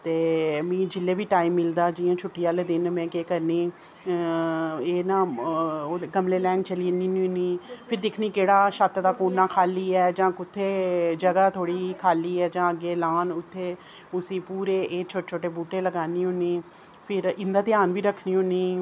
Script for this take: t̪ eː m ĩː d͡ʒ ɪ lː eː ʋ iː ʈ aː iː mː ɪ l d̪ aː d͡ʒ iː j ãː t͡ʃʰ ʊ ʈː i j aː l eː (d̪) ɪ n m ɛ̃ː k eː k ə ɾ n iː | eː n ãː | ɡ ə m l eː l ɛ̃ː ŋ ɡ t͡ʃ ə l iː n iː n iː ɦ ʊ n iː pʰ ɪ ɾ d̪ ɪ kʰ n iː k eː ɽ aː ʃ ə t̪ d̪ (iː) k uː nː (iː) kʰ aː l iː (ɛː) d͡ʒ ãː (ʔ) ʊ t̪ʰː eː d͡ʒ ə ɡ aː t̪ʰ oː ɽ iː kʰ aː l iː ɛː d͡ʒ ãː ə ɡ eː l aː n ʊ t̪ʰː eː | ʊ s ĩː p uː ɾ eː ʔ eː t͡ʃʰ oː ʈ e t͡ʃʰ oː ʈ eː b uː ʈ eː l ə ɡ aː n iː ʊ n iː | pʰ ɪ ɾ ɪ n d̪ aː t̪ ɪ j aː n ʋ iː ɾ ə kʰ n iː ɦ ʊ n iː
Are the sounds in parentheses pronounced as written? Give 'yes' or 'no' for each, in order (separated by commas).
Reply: yes, no, no, yes, no